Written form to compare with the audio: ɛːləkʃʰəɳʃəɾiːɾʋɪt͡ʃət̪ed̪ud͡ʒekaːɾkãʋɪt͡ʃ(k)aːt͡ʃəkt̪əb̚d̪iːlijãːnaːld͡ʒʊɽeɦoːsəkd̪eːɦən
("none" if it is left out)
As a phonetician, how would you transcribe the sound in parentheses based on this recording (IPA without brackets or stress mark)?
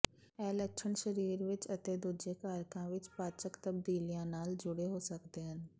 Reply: p